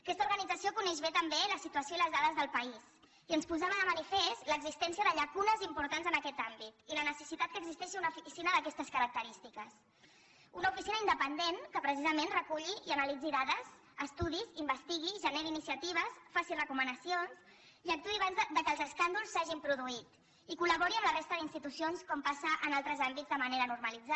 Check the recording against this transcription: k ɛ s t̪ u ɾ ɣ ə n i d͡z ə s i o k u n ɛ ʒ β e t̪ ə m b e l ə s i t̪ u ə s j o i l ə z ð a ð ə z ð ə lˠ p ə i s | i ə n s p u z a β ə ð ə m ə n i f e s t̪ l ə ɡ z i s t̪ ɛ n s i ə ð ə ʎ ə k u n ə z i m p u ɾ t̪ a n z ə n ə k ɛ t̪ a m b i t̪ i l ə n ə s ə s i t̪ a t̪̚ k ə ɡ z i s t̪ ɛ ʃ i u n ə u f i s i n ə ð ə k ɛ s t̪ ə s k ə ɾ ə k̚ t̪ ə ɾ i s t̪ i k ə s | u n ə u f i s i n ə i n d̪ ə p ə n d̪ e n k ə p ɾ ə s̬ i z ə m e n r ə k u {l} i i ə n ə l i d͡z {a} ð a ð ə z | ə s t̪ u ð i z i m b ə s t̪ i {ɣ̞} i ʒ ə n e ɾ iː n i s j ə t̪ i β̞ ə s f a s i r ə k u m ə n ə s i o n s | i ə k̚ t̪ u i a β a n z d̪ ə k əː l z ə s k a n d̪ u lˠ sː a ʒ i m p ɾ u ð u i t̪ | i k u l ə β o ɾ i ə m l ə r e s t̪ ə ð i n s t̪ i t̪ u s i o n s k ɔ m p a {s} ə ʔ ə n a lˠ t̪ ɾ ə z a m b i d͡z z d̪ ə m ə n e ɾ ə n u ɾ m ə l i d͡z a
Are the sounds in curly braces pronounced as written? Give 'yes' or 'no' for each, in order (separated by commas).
no, no, yes, yes